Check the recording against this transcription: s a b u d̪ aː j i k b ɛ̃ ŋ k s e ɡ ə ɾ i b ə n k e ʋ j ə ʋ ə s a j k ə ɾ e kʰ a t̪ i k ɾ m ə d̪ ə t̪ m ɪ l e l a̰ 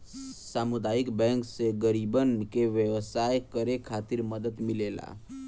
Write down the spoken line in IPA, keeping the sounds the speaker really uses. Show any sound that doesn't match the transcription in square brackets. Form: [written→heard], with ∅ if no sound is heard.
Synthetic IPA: s a [b→m] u d̪ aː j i k b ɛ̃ ŋ k s e ɡ ə ɾ i b ə n k e ʋ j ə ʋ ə s a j k ə ɾ e kʰ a t̪ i [k→∅] ɾ m ə d̪ ə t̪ m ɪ l e l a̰